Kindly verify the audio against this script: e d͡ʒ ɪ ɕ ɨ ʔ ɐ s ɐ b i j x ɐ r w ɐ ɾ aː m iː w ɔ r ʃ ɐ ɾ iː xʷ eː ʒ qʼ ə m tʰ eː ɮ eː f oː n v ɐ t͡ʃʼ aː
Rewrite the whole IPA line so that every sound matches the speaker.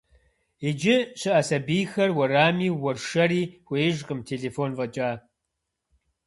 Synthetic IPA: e d͡ʒ ɪ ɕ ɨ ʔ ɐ s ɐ b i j x ɐ r w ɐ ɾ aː m iː w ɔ r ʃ ɐ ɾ iː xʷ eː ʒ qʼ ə m tʰ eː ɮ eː f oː n v ɐ t͡ʃʼ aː